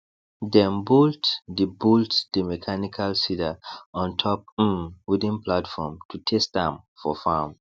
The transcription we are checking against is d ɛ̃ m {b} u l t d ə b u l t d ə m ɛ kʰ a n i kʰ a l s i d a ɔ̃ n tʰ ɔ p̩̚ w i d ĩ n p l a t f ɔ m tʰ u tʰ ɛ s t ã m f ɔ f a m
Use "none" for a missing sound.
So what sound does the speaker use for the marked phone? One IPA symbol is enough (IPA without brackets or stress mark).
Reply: b